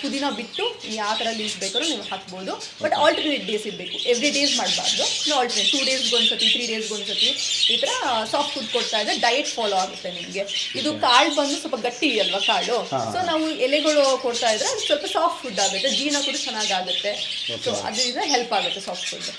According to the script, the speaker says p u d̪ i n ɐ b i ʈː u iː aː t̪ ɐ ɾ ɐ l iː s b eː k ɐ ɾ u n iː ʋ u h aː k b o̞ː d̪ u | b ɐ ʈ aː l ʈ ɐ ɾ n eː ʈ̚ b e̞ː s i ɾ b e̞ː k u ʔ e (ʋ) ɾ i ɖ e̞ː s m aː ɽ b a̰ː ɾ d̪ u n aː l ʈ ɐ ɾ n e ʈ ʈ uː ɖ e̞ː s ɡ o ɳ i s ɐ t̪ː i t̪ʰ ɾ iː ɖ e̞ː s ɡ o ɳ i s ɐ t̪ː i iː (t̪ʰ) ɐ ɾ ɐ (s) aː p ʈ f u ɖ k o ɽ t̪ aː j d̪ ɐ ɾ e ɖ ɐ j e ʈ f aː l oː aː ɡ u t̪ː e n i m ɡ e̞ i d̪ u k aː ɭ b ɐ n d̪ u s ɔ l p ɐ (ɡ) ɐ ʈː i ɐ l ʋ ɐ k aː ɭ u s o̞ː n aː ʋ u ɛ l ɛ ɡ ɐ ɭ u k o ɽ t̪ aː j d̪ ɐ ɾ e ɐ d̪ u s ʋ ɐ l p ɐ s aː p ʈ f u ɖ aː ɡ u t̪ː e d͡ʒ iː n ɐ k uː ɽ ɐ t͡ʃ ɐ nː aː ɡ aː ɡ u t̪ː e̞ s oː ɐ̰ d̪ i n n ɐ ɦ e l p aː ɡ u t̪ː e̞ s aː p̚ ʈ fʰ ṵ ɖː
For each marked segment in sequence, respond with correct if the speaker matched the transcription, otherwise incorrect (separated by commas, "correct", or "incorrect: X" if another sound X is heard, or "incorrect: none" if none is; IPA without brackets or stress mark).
correct, incorrect: t̪, correct, correct